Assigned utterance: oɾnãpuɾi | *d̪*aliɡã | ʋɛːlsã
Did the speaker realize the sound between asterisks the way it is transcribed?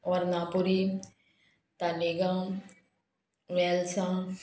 no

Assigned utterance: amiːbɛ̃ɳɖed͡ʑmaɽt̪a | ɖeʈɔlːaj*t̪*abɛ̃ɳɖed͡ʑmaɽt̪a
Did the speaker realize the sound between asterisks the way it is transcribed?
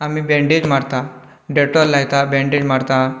yes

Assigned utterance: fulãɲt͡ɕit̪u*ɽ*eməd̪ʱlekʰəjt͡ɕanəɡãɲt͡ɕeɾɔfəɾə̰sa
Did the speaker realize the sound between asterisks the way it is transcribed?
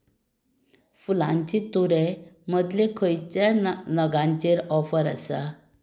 no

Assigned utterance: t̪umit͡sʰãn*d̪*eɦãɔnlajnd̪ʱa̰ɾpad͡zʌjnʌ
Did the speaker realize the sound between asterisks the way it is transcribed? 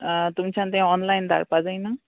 no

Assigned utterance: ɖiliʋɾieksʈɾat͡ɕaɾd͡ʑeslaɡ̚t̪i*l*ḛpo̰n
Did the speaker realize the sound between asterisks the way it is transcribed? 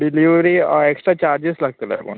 yes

